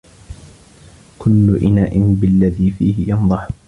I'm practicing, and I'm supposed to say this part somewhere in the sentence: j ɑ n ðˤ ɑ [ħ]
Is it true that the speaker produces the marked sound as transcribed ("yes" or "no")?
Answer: yes